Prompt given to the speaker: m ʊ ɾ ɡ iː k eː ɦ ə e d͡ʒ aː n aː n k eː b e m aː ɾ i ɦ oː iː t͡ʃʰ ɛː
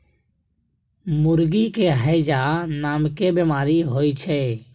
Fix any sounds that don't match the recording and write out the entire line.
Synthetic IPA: m ʊ ɾ ɡ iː k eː ɦ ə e d͡ʒ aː n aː m k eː b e m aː ɾ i ɦ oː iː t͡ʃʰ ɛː